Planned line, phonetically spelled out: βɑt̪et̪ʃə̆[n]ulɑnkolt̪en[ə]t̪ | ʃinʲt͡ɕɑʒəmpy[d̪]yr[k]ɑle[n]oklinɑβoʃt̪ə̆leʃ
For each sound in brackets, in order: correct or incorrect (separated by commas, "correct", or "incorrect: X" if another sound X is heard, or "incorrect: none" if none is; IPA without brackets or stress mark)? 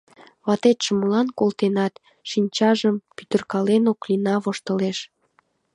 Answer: incorrect: m, incorrect: ɑ, incorrect: t̪, correct, correct